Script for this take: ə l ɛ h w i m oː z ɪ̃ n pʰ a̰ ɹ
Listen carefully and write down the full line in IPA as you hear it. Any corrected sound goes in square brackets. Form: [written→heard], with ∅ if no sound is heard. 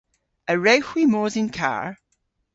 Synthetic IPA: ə [l→ɹ] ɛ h w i m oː z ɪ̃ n [pʰ→kʰ] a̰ ɹ